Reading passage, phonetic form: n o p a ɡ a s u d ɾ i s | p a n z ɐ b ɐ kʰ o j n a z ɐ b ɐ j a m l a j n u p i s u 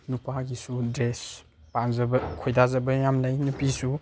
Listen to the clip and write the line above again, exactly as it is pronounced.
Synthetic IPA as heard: n u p a ɡ i s u d ɾ e s | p a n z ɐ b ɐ kʰ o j d a z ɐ b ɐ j a m l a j n u p i s u